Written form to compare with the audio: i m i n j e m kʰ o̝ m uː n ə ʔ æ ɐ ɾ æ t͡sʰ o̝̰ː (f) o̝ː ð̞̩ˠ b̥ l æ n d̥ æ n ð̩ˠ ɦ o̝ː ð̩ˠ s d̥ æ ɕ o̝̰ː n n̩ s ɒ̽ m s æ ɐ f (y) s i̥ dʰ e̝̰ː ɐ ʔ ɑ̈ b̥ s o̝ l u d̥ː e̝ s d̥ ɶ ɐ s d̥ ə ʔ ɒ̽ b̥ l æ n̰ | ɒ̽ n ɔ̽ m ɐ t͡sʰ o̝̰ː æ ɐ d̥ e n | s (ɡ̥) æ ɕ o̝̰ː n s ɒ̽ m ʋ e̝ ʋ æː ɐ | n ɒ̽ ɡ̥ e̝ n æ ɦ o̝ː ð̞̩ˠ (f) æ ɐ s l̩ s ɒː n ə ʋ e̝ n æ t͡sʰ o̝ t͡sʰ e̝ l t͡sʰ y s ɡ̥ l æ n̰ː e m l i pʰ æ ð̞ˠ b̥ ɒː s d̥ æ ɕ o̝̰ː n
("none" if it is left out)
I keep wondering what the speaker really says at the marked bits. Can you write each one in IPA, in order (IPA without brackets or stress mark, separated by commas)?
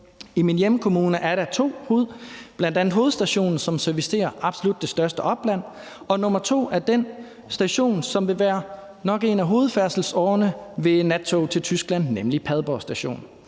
h, i, d̥, f